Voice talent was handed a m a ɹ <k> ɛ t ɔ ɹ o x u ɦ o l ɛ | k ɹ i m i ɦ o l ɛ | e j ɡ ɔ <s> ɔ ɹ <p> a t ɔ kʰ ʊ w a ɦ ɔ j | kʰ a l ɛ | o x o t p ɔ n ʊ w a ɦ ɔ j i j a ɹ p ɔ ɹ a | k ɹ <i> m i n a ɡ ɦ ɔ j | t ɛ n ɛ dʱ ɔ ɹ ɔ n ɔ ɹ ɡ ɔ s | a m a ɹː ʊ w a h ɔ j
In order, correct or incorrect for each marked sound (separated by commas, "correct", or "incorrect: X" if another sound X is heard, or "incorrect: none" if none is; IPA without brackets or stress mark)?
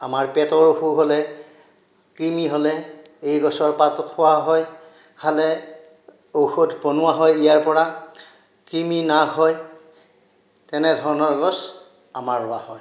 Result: incorrect: p, correct, correct, correct